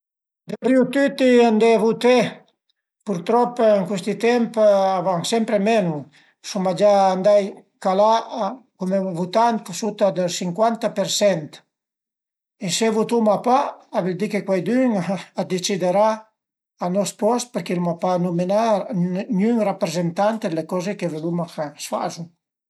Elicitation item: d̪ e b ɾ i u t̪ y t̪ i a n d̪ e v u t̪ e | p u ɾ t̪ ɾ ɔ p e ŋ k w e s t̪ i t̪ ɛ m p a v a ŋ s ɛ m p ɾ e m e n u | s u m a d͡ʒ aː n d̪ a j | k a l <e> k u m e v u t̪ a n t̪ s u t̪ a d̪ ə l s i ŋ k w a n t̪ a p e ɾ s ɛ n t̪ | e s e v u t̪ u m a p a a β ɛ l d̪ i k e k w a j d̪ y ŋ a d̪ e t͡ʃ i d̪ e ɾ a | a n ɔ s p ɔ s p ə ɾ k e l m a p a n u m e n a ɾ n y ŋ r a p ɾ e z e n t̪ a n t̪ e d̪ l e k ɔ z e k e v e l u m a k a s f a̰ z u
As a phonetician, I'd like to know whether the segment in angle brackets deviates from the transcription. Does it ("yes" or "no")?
yes